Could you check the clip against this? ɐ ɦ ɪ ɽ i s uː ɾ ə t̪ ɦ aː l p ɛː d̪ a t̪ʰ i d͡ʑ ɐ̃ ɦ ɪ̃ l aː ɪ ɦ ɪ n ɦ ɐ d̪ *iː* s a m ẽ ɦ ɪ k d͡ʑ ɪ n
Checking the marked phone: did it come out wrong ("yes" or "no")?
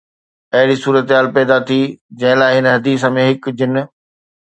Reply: no